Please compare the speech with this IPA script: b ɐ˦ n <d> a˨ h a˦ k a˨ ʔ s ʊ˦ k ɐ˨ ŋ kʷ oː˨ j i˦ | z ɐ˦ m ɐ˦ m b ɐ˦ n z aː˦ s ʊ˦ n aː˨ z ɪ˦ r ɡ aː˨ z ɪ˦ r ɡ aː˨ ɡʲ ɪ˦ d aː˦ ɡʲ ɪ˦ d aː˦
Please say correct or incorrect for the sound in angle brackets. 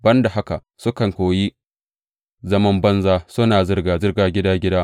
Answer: correct